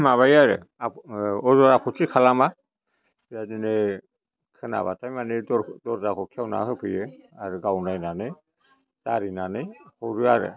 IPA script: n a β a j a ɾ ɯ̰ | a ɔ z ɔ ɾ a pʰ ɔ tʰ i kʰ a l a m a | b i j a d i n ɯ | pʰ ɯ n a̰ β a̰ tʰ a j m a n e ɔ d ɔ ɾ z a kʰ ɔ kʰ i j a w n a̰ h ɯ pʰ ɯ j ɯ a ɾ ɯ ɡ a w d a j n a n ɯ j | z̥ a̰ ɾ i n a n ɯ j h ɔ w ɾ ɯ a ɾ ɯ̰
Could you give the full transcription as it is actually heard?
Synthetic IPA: m a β a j a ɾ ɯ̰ | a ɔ z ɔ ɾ a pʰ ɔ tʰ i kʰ a l a m a | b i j a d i n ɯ | kʰ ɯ n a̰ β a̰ tʰ a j m a n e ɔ d ɔ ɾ z a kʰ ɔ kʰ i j a w n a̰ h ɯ pʰ ɯ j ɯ a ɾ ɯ ɡ a w n a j n a n ɯ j | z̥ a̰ ɾ i n a n ɯ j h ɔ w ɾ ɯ a ɾ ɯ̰